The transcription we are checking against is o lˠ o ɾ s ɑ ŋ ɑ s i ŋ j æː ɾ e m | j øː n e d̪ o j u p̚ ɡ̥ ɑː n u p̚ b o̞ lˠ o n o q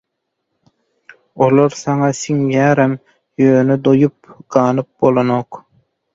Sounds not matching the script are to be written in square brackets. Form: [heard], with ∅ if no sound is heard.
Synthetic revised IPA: o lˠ o ɾ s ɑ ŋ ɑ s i ŋ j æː ɾ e m | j øː n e d̪ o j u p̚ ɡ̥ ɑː n [ɯ] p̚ b o̞ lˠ o n o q